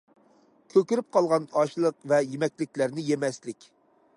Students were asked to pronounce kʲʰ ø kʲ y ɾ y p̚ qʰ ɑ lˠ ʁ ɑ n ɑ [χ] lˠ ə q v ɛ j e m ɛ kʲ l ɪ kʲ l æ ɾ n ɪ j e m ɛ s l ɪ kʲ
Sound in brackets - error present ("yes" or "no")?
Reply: yes